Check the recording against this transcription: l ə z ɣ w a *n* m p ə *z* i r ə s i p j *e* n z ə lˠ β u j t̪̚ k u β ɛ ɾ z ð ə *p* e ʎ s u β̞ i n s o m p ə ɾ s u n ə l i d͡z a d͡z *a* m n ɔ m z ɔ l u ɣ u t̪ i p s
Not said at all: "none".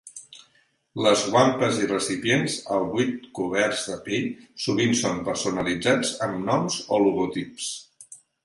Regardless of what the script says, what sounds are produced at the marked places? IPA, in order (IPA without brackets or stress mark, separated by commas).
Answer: none, z, e, p, ə